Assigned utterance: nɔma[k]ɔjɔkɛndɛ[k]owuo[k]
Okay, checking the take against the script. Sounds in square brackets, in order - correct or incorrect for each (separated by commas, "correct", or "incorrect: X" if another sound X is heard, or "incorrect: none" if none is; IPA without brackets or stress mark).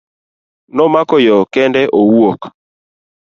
correct, incorrect: ʔ, correct